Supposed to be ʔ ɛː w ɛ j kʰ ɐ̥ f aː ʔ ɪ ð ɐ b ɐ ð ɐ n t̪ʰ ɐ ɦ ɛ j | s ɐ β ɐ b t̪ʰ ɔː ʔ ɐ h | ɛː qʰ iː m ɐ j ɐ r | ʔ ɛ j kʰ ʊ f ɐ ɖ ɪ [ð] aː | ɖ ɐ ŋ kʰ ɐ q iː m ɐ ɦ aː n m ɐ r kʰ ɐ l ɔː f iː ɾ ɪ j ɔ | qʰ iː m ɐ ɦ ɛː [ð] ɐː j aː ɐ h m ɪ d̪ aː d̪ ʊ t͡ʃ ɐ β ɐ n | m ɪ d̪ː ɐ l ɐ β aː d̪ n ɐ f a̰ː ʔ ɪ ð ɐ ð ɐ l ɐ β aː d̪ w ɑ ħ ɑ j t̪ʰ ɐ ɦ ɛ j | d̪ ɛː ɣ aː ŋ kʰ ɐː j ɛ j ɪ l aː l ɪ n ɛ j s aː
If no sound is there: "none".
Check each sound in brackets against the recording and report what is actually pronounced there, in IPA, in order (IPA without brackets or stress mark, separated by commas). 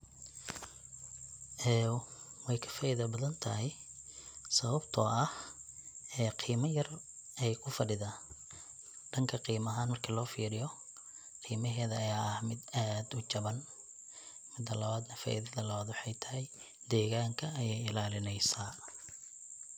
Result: ð, ð